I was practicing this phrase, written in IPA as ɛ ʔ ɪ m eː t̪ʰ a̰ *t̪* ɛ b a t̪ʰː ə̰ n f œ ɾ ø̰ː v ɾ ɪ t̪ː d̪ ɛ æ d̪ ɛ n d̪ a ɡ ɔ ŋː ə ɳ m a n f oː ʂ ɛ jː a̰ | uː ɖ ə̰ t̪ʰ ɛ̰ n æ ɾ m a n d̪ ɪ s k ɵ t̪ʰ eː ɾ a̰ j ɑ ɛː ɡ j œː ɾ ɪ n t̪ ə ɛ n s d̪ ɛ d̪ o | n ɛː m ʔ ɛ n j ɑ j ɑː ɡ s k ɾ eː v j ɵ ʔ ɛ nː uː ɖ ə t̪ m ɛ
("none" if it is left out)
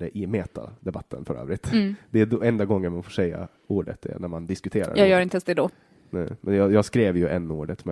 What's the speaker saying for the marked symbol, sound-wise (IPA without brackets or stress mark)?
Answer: d̪